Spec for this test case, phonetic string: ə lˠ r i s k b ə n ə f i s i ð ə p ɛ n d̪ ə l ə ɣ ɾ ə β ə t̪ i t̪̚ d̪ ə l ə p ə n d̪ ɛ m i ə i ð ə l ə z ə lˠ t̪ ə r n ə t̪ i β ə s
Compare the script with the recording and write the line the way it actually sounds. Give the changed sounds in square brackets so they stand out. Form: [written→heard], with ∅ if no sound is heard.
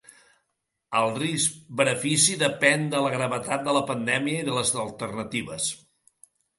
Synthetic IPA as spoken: ə lˠ r i s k b ə n ə f i s i ð ə p ɛ n d̪ ə l ə ɣ ɾ ə β ə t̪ [i→a] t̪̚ d̪ ə l ə p ə n d̪ ɛ m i ə i ð ə l ə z ə lˠ t̪ ə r n ə t̪ i β ə s